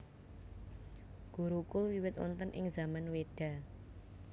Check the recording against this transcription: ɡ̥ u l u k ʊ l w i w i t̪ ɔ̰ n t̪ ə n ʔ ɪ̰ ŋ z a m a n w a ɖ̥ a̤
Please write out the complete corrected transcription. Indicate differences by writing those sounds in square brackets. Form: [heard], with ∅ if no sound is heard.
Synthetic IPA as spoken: ɡ̥ u [ɾ] u k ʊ l w i w [ɪ] t̪ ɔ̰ n t̪ ə n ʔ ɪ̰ ŋ z a m a n w [e] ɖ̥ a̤